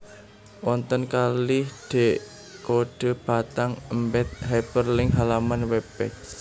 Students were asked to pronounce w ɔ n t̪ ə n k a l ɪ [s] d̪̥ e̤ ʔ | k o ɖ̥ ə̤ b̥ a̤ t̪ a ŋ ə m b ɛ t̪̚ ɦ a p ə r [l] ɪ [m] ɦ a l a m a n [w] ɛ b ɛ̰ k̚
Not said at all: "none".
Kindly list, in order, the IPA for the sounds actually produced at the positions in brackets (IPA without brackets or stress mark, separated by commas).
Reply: h, l, ŋ, w